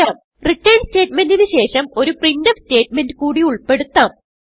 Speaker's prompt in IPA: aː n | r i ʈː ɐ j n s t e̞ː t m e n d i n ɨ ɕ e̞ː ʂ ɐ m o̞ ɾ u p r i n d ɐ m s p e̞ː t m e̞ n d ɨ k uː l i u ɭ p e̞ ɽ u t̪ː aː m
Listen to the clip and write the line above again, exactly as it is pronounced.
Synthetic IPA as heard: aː m | r i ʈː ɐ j n s t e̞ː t m e n d i n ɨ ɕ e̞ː ʂ ɐ m o̞ ɾ u p r i n d ɐ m s t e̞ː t m e̞ n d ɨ k uː ɽ i u ɭ p e̞ ɽ u t̪ː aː m